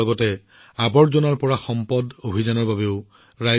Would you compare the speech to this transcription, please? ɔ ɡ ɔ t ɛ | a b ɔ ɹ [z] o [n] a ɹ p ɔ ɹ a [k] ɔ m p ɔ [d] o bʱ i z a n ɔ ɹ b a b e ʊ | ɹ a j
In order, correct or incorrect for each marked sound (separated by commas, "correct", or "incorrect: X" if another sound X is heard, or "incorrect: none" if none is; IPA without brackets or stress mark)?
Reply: correct, correct, incorrect: x, correct